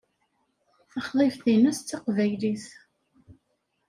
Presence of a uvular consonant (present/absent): present